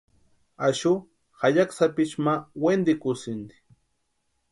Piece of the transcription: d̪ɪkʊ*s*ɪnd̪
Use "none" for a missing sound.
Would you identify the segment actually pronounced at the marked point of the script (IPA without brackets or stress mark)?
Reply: s